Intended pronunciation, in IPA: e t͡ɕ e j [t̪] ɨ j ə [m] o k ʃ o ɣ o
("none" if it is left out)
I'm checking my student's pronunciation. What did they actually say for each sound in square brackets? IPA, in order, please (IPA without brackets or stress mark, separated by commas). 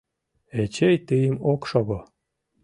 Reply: t̪, m